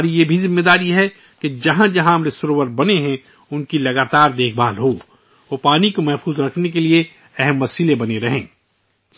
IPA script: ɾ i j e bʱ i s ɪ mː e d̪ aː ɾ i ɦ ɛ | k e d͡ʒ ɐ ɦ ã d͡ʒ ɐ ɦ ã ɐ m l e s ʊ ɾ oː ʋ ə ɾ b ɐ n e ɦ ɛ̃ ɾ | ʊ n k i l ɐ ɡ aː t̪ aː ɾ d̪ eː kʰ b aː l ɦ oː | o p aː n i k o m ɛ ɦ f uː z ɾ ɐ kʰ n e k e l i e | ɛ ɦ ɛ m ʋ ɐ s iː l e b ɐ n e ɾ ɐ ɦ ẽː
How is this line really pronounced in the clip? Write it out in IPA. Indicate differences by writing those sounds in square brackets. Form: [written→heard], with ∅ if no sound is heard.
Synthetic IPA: ɾ i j e bʱ i [s→z] ɪ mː e d̪ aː ɾ i ɦ ɛ | k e d͡ʒ ɐ ɦ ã d͡ʒ ɐ ɦ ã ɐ m [l→ɾ] e s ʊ ɾ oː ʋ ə ɾ b ɐ n e ɦ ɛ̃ [ɾ→∅] | ʊ n k i l ɐ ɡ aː t̪ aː ɾ d̪ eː kʰ b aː l ɦ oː | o p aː n i k o m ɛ ɦ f uː z ɾ ɐ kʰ n e k e l i e | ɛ ɦ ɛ m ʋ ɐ s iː l e b ɐ n e ɾ ɐ ɦ ẽː